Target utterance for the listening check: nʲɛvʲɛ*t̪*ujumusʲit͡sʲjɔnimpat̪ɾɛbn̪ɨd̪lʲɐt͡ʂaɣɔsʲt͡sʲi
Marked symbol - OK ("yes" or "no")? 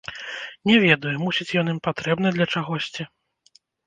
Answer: no